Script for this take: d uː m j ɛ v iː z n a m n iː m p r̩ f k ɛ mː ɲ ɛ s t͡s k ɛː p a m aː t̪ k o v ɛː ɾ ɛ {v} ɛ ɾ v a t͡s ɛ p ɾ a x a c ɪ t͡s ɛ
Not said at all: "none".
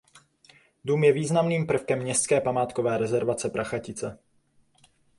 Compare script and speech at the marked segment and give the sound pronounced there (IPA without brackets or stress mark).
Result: z